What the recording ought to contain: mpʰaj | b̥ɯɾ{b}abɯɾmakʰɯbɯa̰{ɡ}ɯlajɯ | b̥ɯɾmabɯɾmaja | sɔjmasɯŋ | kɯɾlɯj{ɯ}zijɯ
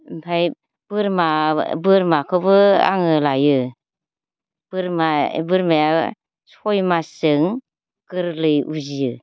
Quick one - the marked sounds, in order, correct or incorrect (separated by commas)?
incorrect, incorrect, incorrect